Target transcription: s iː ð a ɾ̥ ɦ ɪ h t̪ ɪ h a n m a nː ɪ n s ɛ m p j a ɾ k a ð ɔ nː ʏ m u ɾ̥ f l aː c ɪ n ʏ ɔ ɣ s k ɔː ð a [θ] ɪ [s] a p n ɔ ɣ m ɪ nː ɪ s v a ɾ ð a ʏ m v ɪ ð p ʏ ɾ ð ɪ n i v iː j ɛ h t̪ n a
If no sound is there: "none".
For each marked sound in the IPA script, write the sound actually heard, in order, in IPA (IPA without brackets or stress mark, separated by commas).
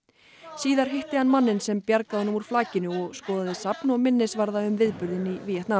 ð, s